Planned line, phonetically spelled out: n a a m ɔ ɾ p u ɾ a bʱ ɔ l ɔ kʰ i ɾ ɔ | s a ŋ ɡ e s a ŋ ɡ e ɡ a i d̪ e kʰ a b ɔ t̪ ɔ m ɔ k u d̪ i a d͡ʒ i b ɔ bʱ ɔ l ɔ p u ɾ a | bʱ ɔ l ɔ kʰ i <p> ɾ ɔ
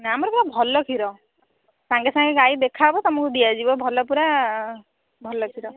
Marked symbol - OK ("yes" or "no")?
no